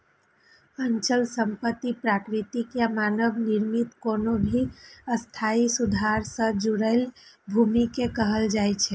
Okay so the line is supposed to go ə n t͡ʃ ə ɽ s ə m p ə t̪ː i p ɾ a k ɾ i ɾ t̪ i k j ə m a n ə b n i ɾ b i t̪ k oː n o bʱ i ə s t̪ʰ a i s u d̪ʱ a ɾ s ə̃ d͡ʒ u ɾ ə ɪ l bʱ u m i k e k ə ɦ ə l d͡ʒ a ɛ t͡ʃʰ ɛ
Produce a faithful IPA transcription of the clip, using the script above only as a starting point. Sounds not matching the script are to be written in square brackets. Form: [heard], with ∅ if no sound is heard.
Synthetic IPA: ə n t͡ʃ ə [l] s ə m p ə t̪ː i p ɾ a k ɾ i [∅] t̪ i k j [a] m a n ə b n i ɾ [m] i t̪ k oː n o bʱ i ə s t̪ʰ a i s u d̪ʱ a ɾ s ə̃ d͡ʒ u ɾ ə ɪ l bʱ u m i k e k ə ɦ ə l d͡ʒ a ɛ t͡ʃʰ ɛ